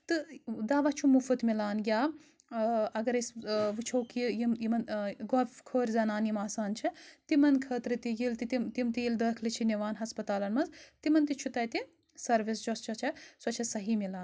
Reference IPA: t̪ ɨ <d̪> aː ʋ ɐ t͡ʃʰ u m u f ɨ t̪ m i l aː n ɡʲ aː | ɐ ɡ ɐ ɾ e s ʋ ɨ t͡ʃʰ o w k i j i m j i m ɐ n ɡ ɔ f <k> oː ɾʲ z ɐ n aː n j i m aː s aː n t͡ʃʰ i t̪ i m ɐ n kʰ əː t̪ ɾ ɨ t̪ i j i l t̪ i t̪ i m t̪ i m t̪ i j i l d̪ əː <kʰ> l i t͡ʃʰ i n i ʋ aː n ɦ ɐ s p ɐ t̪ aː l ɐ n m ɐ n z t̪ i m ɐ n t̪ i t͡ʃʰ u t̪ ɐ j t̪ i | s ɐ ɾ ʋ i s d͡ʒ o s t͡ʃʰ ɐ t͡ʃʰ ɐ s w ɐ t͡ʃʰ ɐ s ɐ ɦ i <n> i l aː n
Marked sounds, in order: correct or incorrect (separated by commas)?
correct, incorrect, correct, incorrect